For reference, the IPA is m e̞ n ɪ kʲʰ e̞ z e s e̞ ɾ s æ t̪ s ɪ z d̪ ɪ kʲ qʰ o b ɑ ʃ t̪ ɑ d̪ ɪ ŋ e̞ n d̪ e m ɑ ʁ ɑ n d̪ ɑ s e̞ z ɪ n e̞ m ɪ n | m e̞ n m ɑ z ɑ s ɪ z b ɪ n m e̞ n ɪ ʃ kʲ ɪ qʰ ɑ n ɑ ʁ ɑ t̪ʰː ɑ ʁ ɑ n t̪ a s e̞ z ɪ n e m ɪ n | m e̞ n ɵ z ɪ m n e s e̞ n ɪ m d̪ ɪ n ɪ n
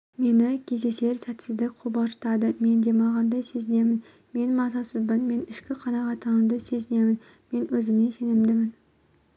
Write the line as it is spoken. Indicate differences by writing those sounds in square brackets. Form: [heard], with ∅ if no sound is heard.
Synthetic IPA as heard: m e̞ n ɪ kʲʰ e̞ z e s e̞ ɾ s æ t̪ s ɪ z d̪ ɪ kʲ qʰ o b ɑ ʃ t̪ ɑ d̪ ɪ [m] e̞ n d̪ e m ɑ ʁ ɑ n d̪ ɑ s e̞ z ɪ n e̞ m ɪ n | m e̞ n m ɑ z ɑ s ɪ z b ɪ n m e̞ n ɪ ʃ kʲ ɪ qʰ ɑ n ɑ ʁ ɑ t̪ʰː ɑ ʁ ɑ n [d̪] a s e̞ z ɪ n e m ɪ n | m e̞ n ɵ z ɪ m n e s e̞ n ɪ m d̪ ɪ [m] ɪ n